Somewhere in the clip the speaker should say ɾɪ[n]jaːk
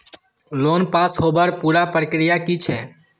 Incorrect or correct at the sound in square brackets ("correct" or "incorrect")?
incorrect